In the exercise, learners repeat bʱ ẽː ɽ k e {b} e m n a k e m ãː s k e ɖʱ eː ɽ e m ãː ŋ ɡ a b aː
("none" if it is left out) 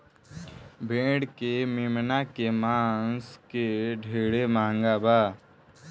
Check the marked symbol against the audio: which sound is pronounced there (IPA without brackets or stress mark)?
m